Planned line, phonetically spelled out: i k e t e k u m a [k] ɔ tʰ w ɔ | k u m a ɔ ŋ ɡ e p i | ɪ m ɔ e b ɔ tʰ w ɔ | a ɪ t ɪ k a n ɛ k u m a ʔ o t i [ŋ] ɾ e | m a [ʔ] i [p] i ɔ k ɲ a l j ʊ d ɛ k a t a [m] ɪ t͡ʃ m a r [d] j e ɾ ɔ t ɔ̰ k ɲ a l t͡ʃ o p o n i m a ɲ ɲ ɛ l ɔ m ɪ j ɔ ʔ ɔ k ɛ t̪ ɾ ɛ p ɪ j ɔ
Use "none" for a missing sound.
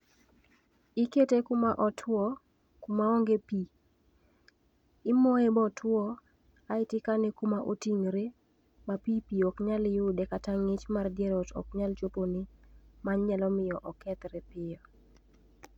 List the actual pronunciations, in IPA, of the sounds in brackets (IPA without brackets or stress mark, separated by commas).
ʔ, ŋ, p, p, ŋ, d